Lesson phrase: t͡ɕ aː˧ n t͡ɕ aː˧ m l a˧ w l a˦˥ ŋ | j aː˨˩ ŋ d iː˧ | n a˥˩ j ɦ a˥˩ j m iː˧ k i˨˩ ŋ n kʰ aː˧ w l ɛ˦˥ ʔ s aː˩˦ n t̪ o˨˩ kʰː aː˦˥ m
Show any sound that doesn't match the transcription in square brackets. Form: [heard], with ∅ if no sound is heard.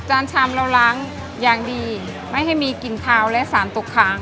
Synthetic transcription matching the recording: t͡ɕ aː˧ n [t͡ɕʰ] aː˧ m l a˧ w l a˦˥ ŋ | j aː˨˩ ŋ d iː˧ | [m] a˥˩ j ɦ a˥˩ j m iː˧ k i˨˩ [∅] n kʰ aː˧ w l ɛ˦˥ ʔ s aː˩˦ n t̪ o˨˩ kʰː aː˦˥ [ŋ]

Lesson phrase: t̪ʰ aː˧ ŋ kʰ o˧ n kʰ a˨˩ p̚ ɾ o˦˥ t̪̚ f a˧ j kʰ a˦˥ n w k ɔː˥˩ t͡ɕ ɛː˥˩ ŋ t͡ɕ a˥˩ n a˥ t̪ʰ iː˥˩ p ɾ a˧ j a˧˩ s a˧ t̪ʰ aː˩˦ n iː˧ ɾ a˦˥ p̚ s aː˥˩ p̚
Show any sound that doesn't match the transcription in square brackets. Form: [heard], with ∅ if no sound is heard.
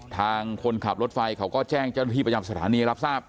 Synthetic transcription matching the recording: t̪ʰ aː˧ ŋ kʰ o˧ n kʰ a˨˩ p̚ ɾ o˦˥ t̪̚ f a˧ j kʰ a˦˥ [∅] w k ɔː˥˩ t͡ɕ ɛː˥˩ ŋ t͡ɕ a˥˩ n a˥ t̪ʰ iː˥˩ p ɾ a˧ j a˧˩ s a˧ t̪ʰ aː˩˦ n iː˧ ɾ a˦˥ p̚ s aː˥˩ p̚

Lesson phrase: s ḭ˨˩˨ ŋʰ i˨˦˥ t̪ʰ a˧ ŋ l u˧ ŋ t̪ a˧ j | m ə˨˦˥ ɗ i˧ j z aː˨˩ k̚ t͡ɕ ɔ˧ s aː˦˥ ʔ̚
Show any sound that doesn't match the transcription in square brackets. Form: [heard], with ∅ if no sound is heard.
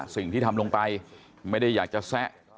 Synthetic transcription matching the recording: s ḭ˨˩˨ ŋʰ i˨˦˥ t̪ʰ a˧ [m] l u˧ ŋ t̪ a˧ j | m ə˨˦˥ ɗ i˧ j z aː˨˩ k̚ t͡ɕ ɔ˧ s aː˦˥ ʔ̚

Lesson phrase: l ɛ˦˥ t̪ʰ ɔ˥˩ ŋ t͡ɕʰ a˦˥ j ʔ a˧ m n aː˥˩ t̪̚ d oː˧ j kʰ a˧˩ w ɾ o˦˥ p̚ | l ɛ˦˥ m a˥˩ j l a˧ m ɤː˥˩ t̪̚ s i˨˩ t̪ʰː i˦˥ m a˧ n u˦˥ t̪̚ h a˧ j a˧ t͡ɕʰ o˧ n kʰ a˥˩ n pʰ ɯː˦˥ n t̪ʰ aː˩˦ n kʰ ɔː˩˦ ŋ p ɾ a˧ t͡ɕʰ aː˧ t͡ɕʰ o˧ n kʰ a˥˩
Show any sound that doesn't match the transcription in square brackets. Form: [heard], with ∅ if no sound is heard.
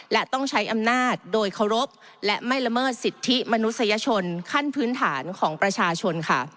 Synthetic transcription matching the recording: l ɛ˦˥ [t̪] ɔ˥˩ ŋ t͡ɕʰ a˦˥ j ʔ a˧ m n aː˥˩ t̪̚ d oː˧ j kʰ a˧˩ w ɾ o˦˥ p̚ | l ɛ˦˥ m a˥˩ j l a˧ m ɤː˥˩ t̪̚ s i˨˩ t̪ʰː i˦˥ m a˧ n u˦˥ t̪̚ [s] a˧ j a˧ t͡ɕʰ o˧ n kʰ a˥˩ n pʰ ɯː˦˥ n t̪ʰ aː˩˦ n kʰ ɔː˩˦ ŋ p ɾ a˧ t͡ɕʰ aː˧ t͡ɕʰ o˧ n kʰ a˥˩

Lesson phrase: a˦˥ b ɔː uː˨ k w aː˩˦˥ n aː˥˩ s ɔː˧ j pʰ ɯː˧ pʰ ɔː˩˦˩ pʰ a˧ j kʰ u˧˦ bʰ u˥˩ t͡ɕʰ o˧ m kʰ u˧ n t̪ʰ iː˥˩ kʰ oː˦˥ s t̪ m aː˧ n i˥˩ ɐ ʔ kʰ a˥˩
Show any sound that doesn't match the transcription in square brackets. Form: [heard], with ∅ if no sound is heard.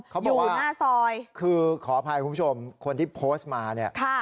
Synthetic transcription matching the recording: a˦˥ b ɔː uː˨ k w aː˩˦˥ n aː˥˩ s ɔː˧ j [kʰ] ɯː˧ [kʰ] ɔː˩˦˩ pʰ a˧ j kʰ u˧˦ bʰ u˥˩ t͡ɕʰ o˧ m kʰ [o˧] n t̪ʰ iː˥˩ [pʰ] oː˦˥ s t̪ m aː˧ n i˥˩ ɐ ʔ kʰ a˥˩

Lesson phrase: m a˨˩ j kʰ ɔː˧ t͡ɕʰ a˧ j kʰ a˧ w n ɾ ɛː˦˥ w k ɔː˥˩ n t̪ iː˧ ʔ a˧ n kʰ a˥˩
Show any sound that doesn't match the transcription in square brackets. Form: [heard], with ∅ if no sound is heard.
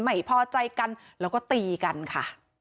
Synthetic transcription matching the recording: m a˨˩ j [pʰ] ɔː˧ [t͡ɕ] a˧ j [k] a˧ [∅] n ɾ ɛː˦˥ w k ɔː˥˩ [∅] t̪ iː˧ [k] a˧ n kʰ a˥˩

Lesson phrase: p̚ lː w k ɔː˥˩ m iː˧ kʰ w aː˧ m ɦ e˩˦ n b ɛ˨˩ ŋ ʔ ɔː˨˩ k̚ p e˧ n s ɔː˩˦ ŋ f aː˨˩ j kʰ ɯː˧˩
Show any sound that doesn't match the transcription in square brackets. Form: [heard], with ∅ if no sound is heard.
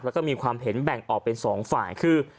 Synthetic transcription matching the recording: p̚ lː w k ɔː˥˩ m iː˧ kʰ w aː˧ m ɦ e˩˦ n b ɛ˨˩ ŋ ʔ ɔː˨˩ k̚ p e˧ n s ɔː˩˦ ŋ f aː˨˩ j kʰ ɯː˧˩

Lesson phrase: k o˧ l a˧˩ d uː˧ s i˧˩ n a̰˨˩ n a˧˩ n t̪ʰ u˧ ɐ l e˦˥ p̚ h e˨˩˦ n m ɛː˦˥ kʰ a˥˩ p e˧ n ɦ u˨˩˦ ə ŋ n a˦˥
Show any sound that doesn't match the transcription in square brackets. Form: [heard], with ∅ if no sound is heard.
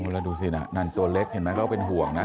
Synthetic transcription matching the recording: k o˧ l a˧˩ d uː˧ s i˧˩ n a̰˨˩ n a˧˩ n [t̪] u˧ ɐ l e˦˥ [k̚] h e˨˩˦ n m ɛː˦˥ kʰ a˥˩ p e˧ n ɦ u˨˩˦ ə ŋ n a˦˥

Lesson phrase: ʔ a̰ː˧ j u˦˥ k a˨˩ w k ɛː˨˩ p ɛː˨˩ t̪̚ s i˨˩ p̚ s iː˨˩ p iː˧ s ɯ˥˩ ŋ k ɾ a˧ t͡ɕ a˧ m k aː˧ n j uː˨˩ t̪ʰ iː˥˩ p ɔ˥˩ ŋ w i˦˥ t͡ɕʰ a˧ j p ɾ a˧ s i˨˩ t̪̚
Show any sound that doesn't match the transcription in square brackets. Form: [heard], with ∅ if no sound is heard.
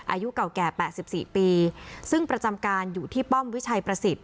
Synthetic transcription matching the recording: ʔ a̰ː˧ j u˦˥ k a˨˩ w k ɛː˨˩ p ɛː˨˩ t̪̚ s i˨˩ p̚ s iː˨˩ p iː˧ s ɯ˥˩ ŋ [p] ɾ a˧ t͡ɕ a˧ m k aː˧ n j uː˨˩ t̪ʰ iː˥˩ p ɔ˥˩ [m] w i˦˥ t͡ɕʰ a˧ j p ɾ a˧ s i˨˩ t̪̚

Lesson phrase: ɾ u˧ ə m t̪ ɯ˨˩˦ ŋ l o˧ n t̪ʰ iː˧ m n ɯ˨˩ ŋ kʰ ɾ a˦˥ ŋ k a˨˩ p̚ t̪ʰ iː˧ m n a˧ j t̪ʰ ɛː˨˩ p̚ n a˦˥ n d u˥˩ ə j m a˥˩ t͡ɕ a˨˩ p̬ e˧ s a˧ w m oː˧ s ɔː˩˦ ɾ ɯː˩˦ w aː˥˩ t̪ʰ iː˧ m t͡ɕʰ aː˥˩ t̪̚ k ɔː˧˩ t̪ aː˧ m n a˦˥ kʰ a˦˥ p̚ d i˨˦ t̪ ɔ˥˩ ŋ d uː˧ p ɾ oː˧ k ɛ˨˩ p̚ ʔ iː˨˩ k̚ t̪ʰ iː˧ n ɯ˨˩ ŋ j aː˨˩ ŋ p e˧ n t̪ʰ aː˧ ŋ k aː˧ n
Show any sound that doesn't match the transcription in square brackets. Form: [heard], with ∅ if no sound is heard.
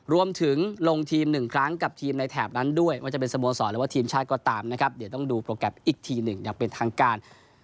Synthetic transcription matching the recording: ɾ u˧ ə m [t̪ʰ] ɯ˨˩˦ ŋ l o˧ [ŋ] t̪ʰ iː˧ m n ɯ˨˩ ŋ kʰ ɾ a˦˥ ŋ k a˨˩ p̚ t̪ʰ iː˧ m n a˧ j t̪ʰ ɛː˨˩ p̚ n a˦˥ n d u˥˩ ə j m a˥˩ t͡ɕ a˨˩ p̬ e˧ s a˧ [∅] m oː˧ s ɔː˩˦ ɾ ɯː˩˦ w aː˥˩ t̪ʰ iː˧ m t͡ɕʰ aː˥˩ t̪̚ k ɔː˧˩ t̪ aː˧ m n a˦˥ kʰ a˦˥ p̚ d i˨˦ t̪ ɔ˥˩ ŋ d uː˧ p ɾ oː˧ k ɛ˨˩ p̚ ʔ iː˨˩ k̚ t̪ʰ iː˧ n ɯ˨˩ ŋ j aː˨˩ ŋ p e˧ n t̪ʰ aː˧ ŋ k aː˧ n

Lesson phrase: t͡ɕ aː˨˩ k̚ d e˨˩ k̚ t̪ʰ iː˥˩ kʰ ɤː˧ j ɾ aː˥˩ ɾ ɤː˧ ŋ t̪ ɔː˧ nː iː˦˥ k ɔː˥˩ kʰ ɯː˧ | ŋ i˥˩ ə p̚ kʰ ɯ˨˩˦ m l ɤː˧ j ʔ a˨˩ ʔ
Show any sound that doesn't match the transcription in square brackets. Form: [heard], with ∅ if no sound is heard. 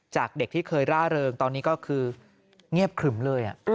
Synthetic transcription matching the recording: t͡ɕ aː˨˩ k̚ d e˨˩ k̚ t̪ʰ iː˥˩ kʰ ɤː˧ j ɾ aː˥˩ ɾ ɤː˧ ŋ t̪ ɔː˧ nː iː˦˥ k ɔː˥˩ kʰ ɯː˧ | ŋ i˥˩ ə p̚ kʰ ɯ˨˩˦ m l ɤː˧ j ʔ a˨˩ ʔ

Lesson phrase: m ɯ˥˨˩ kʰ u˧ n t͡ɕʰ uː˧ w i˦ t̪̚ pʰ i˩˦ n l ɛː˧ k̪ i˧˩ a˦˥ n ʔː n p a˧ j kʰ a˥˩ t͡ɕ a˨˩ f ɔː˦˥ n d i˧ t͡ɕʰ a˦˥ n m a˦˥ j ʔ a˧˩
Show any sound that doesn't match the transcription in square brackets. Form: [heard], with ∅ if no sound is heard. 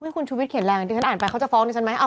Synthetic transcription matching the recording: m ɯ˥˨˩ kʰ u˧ n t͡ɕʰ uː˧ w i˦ t̪̚ [kʰ] i˩˦ n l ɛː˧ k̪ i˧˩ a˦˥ n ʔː n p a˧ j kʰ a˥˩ t͡ɕ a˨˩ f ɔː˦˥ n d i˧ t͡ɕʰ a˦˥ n m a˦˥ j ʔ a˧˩

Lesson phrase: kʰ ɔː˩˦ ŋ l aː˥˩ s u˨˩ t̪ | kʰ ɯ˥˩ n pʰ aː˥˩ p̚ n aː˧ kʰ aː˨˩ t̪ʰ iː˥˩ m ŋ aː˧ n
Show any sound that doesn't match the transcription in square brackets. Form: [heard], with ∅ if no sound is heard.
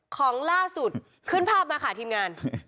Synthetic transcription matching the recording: kʰ ɔː˩˦ ŋ l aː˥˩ s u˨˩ t̪ | kʰ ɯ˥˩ n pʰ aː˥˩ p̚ [m] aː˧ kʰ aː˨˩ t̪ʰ [iː˧] m ŋ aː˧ n

